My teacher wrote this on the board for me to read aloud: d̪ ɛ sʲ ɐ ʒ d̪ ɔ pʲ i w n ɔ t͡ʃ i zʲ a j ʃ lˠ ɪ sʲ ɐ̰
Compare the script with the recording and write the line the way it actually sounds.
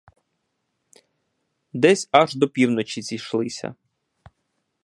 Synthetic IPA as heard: d̪ ɛ sʲ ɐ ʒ d̪ ɔ pʲ i w n ɔ t͡ʃ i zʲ i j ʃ lˠ ɪ sʲ ɐ̰